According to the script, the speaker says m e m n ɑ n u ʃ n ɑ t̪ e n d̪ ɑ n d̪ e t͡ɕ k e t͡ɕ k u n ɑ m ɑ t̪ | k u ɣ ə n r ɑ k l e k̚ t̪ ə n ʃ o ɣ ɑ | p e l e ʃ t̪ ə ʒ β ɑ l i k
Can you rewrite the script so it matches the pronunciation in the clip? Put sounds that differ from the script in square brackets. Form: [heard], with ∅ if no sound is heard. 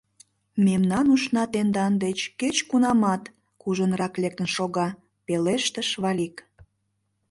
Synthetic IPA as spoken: m e m n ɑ n u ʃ n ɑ t̪ e n d̪ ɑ n d̪ e t͡ɕ k e t͡ɕ k u n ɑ m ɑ t̪ | k u [ʒ] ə n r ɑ k l e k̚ t̪ ə n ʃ o ɣ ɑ | p e l e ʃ t̪ ə [ʃ] β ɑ l i k